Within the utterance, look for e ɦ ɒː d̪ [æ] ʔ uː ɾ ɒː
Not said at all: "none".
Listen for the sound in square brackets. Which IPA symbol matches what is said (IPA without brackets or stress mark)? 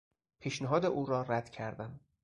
e